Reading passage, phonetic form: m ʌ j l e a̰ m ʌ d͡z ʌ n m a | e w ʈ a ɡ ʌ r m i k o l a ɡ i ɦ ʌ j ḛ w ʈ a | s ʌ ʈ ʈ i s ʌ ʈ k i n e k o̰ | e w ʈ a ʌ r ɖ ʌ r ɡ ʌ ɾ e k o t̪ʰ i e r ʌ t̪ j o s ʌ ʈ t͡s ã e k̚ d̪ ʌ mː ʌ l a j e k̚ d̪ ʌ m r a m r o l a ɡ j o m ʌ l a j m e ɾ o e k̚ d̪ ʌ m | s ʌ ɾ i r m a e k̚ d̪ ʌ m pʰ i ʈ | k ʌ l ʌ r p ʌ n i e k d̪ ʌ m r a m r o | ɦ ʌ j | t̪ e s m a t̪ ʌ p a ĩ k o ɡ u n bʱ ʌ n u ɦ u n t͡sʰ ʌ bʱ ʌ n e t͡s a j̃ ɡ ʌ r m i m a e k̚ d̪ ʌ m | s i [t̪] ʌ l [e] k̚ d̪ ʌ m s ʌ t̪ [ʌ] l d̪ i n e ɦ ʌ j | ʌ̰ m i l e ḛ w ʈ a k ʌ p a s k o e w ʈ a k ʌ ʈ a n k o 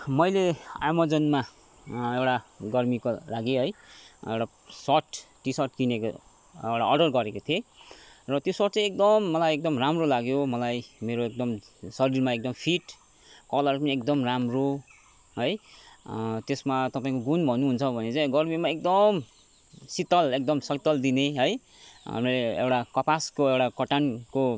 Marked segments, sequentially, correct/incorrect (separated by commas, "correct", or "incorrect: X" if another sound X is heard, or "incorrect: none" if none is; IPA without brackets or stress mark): correct, correct, correct